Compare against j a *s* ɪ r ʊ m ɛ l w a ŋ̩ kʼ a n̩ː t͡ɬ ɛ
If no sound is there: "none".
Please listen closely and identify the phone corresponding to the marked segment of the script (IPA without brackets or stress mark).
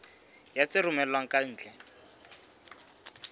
t͡s